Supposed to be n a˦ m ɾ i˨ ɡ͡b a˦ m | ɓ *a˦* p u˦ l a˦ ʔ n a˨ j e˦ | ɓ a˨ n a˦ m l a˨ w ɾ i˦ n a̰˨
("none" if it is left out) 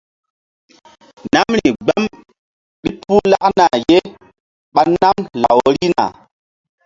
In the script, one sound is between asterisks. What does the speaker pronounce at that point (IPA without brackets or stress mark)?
i˦